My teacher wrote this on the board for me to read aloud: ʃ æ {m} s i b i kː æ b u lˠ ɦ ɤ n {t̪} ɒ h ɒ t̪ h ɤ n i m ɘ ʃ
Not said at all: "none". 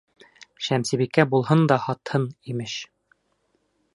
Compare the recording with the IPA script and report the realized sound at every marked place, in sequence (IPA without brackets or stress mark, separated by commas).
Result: m, d̪